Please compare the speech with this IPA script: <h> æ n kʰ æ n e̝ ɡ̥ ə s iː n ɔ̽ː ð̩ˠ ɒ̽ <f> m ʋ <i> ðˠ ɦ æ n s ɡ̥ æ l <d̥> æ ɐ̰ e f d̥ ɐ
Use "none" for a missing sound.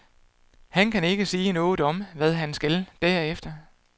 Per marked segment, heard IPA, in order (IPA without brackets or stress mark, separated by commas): h, none, æ, d̥